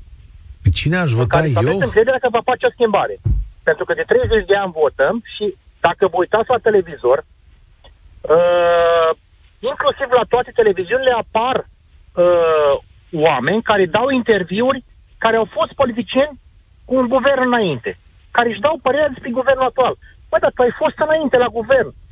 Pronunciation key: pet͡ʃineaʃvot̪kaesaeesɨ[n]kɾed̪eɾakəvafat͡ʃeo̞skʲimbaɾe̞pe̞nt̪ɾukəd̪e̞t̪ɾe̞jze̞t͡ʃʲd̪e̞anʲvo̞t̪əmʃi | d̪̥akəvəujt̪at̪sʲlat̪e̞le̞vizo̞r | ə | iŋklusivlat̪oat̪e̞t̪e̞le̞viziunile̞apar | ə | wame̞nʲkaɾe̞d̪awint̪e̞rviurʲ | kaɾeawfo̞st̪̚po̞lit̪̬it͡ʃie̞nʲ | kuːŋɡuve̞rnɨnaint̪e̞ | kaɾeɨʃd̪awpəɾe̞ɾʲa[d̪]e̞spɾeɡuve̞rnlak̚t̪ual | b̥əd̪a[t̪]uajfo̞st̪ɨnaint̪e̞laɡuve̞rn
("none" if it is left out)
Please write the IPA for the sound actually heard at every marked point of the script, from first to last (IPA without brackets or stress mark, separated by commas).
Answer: ŋ, d̪, t̪